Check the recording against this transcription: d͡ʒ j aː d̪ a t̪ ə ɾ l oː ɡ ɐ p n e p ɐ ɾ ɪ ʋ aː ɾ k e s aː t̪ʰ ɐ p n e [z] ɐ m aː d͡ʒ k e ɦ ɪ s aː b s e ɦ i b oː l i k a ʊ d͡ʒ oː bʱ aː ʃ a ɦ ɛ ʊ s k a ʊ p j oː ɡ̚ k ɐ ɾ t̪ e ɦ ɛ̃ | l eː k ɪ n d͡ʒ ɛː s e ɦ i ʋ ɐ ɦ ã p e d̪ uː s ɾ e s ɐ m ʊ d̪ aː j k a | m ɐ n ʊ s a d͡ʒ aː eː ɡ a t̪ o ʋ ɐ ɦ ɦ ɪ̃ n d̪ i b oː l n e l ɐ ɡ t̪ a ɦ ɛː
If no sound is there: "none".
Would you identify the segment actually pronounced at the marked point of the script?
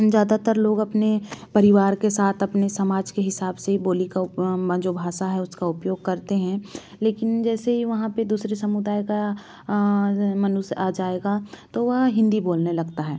s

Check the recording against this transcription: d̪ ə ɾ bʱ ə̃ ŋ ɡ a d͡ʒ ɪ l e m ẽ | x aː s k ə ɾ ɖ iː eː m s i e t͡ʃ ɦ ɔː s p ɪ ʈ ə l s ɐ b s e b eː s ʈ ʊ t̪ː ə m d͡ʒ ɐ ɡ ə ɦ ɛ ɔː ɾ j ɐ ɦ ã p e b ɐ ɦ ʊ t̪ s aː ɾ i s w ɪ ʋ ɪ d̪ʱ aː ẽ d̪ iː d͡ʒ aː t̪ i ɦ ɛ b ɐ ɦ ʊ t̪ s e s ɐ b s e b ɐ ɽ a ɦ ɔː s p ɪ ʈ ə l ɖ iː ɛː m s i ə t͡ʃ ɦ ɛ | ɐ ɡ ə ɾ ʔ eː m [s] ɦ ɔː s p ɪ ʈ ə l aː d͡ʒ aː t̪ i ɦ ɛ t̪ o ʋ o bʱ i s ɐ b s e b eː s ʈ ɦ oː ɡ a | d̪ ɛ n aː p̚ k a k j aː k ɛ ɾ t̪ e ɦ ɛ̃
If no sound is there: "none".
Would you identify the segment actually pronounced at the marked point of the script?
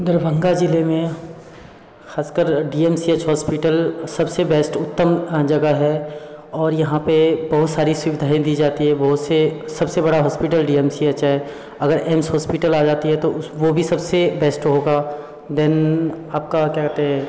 s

